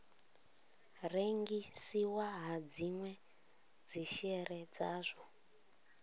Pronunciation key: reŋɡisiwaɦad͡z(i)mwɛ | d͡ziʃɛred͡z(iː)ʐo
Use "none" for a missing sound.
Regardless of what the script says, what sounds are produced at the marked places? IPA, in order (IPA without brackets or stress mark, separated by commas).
i, aː